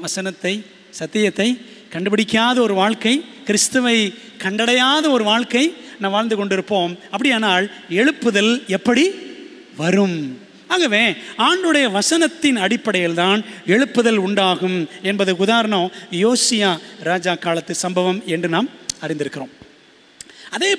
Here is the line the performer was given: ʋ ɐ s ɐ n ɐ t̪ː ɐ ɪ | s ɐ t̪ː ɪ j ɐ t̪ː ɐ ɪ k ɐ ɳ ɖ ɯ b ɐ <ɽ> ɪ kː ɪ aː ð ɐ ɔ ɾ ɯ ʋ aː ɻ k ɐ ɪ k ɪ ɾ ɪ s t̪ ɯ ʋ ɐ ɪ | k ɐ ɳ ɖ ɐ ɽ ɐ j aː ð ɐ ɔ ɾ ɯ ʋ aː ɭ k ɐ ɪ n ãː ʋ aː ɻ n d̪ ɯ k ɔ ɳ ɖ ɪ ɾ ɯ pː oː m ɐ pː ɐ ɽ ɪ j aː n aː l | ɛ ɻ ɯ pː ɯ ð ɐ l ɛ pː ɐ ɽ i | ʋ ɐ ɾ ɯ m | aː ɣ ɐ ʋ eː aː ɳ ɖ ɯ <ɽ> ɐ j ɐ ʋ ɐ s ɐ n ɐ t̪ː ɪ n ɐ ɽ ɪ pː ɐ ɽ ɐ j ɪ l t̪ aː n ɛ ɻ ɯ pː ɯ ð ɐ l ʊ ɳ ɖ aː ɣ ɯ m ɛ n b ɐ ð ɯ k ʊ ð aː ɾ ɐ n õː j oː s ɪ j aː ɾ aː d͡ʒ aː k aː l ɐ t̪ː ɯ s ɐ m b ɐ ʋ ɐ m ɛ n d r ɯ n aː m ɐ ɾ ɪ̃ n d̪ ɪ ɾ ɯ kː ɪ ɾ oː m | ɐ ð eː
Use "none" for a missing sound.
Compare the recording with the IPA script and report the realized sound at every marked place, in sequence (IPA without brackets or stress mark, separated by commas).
ɽ, ɽ